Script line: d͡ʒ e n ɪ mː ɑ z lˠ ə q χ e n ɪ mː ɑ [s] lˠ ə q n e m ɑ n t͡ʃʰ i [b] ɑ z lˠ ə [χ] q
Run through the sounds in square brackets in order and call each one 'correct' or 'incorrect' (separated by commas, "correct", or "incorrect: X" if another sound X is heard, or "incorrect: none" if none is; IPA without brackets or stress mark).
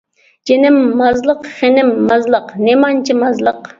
incorrect: z, incorrect: m, incorrect: none